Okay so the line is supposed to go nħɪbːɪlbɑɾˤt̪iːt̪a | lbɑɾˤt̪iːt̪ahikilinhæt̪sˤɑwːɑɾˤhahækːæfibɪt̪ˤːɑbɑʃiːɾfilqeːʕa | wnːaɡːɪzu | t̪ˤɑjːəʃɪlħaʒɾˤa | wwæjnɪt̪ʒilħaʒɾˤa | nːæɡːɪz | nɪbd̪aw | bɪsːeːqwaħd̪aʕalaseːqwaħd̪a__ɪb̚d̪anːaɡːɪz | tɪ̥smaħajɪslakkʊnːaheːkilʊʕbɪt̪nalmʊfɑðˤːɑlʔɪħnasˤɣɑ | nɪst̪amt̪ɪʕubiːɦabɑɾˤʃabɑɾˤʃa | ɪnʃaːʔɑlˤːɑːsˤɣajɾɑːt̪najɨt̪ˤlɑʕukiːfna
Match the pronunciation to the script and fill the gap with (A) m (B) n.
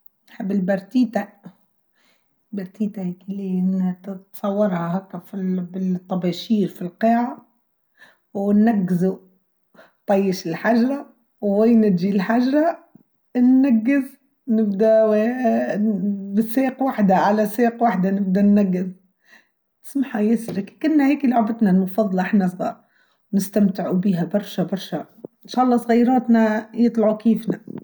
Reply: B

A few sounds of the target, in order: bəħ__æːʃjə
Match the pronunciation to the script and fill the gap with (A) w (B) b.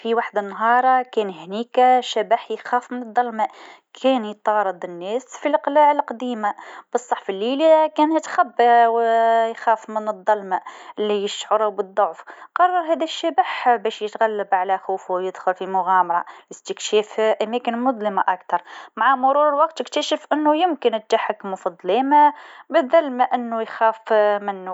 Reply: B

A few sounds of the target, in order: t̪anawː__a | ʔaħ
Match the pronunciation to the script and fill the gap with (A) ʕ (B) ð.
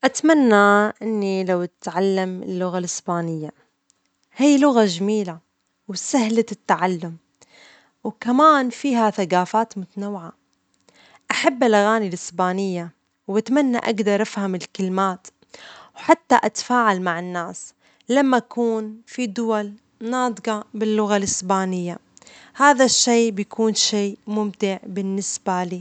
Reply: A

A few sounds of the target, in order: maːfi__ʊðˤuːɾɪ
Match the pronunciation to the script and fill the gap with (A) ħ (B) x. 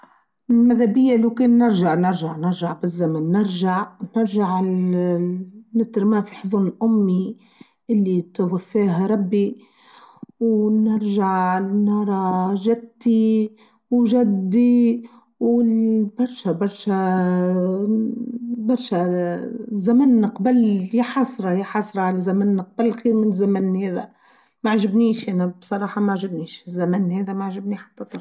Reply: A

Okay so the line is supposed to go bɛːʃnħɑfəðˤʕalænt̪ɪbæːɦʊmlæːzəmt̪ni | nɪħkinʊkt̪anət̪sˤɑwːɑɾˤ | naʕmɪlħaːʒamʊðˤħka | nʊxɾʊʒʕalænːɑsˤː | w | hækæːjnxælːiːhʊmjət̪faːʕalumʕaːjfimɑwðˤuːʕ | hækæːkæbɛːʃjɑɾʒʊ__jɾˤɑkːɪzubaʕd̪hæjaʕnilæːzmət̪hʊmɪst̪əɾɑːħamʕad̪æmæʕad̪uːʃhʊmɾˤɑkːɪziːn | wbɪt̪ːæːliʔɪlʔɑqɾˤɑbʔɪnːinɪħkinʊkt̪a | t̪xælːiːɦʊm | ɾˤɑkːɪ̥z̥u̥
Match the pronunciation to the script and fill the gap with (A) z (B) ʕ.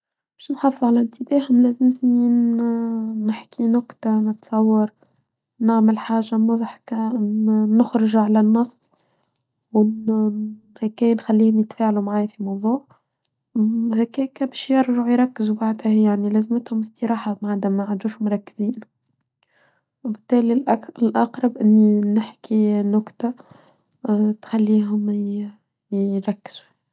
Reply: B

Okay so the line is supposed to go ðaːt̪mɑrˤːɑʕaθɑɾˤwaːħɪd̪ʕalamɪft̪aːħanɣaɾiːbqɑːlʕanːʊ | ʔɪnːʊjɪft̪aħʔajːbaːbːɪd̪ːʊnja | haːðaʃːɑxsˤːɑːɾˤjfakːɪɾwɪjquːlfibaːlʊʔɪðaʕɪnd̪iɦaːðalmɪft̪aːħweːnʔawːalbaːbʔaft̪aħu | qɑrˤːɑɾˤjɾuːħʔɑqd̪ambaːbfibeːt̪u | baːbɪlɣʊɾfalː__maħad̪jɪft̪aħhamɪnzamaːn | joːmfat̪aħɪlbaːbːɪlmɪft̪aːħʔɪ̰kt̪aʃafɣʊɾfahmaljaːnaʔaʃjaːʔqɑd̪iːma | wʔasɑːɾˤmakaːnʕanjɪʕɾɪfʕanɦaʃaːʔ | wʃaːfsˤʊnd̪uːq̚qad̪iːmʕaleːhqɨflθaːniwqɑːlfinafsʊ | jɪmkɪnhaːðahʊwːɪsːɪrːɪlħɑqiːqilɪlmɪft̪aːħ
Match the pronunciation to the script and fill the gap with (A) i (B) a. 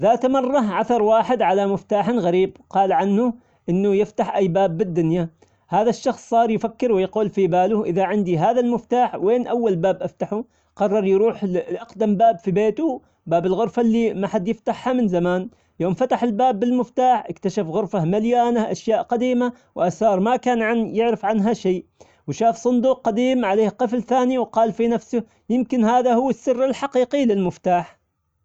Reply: A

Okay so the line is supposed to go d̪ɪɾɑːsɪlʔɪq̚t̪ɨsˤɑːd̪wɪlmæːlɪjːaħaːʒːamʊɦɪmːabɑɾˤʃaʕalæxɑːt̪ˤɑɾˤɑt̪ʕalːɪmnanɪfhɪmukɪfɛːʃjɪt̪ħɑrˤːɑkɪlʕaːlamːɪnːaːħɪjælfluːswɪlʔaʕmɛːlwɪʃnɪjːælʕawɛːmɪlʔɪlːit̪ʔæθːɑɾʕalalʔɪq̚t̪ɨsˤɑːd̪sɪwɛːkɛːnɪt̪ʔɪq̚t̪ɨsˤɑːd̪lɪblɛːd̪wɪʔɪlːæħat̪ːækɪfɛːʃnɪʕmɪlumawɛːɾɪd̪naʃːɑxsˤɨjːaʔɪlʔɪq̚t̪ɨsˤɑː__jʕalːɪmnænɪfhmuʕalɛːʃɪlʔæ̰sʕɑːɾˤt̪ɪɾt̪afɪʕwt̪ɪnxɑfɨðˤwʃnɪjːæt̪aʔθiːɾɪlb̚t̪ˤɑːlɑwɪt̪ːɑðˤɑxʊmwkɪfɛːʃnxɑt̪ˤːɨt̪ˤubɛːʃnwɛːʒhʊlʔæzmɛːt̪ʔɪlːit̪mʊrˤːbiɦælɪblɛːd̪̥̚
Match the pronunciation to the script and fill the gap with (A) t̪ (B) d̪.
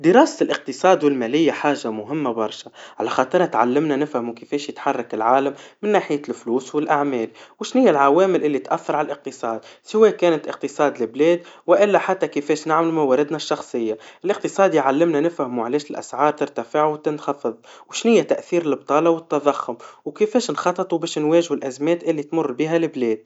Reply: B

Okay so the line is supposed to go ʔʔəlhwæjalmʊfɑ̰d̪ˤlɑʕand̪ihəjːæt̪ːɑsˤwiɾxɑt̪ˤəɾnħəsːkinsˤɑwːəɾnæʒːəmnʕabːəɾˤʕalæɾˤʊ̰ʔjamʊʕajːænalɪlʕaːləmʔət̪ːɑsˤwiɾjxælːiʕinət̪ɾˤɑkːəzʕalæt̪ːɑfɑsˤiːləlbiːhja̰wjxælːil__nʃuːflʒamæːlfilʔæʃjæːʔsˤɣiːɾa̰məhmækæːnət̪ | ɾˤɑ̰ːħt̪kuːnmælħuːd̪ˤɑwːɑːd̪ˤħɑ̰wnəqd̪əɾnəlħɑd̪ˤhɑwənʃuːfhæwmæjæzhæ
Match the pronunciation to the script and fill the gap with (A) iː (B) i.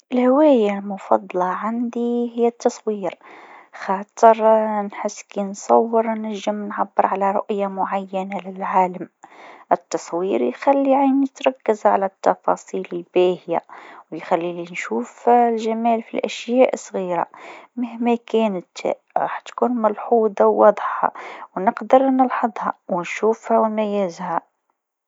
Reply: B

